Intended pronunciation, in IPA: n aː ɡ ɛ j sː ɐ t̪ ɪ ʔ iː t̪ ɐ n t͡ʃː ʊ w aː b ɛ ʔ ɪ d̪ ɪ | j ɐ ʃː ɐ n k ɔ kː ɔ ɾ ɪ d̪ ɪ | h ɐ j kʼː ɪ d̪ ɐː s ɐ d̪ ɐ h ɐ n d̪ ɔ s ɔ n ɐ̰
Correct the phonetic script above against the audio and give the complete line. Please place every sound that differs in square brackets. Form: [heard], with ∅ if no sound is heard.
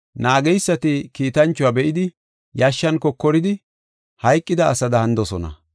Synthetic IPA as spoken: n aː ɡ ɛ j sː ɐ t̪ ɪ [k] iː t̪ ɐ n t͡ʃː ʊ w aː b ɛ ʔ ɪ d̪ ɪ | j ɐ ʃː ɐ n k ɔ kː ɔ ɾ ɪ d̪ ɪ | h ɐ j kʼː ɪ d̪ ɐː s ɐ d̪ ɐ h ɐ n d̪ ɔ s ɔ n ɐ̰